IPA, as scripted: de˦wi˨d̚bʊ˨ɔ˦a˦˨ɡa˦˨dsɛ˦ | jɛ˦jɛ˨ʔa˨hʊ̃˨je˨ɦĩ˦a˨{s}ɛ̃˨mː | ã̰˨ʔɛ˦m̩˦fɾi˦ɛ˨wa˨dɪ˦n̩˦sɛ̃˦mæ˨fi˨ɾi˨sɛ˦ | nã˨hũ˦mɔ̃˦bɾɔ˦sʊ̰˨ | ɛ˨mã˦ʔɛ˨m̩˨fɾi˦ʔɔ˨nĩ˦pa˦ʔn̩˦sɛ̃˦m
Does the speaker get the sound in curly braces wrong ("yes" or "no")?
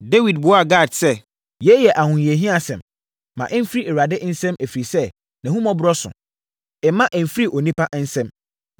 no